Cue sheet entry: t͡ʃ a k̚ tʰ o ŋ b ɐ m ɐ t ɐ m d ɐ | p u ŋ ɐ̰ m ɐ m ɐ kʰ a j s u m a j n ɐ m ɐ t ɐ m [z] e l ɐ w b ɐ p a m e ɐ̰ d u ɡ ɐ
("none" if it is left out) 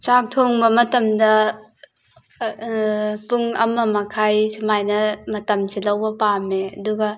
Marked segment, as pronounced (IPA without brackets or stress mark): s